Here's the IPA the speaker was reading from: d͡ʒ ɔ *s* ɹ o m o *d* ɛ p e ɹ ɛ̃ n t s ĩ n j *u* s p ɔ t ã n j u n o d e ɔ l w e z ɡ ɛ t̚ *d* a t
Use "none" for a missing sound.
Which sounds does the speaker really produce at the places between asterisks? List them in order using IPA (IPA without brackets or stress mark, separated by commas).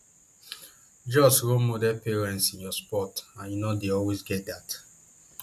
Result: s, d, ɔ, d